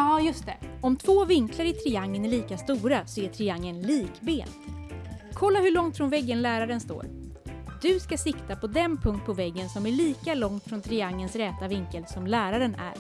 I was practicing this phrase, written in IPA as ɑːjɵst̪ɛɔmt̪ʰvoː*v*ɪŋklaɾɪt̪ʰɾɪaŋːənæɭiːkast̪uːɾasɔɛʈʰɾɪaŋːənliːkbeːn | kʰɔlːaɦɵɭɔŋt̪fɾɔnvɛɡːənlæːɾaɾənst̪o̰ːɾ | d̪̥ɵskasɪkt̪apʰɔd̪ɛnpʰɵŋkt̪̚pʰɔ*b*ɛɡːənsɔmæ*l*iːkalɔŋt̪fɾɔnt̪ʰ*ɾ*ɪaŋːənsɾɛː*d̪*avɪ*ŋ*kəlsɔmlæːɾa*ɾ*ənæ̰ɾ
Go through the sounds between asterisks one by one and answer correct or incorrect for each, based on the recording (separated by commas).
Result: correct, incorrect, incorrect, correct, incorrect, correct, correct